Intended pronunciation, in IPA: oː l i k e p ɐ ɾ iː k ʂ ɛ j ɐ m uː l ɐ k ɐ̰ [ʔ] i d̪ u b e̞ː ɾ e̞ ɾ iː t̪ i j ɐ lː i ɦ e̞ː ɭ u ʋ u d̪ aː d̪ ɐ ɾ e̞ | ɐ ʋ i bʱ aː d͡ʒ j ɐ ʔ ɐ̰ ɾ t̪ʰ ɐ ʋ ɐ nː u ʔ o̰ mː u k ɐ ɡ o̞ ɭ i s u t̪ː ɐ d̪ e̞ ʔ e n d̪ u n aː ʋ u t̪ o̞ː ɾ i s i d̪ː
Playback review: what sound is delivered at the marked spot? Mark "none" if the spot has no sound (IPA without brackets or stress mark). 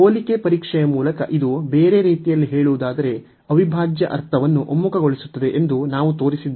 ʔ